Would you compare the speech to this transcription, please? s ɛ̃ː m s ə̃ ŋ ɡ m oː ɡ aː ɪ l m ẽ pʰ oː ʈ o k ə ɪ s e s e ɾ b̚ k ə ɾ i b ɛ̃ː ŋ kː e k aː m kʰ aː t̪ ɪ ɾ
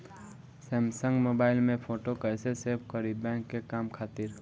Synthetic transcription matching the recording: s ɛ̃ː m s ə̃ ŋ ɡ m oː b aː ɪ l m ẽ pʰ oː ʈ o k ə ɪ s e s e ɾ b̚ k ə ɾ i b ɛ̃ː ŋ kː e k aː m kʰ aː t̪ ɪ ɾ